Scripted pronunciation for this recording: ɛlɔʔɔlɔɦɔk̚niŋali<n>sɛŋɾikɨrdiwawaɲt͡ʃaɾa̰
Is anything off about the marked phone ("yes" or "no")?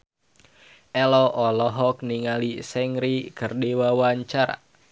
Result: yes